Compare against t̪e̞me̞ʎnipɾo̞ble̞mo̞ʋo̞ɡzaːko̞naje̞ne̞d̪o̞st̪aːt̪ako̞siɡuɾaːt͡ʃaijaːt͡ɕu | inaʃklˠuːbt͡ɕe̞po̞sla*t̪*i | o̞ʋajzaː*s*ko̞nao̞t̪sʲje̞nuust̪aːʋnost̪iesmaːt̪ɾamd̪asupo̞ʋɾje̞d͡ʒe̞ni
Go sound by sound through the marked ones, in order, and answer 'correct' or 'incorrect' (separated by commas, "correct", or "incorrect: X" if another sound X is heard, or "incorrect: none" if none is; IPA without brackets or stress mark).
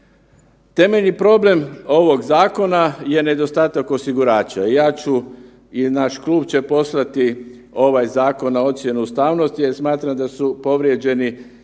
correct, incorrect: none